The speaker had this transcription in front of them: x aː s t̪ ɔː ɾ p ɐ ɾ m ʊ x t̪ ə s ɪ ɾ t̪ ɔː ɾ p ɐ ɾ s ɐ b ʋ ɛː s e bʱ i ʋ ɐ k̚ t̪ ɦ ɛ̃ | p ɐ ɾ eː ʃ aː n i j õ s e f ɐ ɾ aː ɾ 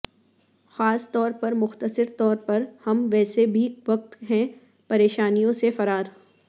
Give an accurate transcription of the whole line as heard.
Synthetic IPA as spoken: x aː s t̪ ɔː ɾ p ɐ ɾ m ʊ x t̪ ə s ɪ ɾ t̪ ɔː ɾ p ɐ ɾ h ɐ m ʋ ɛː s e bʱ i ʋ ɐ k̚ t̪ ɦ ɛ̃ | p ɐ ɾ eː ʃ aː n i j õ s e f ɐ ɾ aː ɾ